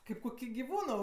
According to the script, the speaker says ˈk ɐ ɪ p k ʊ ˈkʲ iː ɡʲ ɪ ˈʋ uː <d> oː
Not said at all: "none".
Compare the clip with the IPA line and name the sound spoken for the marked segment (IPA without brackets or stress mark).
n